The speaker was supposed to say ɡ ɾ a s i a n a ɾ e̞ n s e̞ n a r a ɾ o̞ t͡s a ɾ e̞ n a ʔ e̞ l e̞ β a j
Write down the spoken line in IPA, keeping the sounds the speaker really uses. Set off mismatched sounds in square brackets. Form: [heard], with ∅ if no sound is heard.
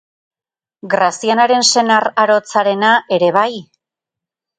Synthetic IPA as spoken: ɡ ɾ a s i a n a ɾ e̞ n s e̞ n a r a ɾ o̞ t͡s a ɾ e̞ n a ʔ e̞ [ɾ] e̞ β a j